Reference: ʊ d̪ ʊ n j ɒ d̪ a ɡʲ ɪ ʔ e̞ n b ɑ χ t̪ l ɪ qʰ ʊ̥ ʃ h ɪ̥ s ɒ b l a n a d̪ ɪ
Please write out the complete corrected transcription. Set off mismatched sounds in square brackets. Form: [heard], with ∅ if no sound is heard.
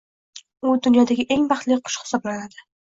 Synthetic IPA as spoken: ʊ d̪ ʊ n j ɒ d̪ a ɡʲ ɪ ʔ e̞ [ŋ] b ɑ χ t̪ l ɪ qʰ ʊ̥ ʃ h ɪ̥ s ɒ b l a n a d̪ ɪ